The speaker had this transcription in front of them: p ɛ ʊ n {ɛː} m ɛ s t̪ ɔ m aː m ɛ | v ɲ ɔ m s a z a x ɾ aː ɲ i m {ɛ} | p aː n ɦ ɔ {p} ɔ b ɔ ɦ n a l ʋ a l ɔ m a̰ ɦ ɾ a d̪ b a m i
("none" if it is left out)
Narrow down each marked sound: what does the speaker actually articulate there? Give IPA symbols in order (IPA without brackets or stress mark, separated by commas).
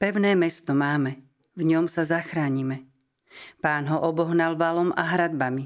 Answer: ɛː, ɛ, ʔ